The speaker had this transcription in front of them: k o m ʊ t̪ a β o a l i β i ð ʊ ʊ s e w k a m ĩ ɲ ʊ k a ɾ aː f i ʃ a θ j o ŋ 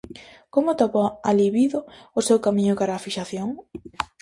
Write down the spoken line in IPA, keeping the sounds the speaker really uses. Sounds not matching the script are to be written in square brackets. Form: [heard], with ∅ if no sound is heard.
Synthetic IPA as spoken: k o m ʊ t̪ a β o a l i β i ð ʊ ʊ s e w k a m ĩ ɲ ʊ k a ɾ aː f i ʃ a θ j o ŋ